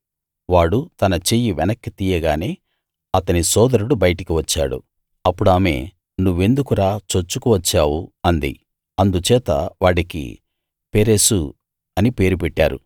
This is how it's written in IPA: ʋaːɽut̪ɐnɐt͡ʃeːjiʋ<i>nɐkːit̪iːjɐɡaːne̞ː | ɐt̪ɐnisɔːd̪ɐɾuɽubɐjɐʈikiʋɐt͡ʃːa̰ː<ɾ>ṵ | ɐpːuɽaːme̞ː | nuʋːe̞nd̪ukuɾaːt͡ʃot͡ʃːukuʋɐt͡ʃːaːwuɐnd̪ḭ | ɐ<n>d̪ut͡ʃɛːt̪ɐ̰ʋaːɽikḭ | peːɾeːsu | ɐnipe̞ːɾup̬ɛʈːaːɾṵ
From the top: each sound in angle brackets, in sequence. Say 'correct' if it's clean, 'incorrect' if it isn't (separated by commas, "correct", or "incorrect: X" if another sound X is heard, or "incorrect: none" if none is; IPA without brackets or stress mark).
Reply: incorrect: ɛ, incorrect: ɽ, correct